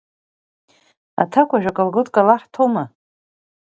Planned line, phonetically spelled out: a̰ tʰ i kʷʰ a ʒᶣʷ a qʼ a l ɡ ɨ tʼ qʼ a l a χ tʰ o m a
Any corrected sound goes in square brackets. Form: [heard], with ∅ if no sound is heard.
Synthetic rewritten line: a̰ tʰ [a] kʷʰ a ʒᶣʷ a [kʼ] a l ɡ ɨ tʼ [kʼ] a l a [ħ] tʰ o m a